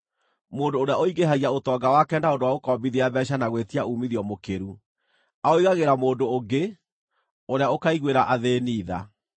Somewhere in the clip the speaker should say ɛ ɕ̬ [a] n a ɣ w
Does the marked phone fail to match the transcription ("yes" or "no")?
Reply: no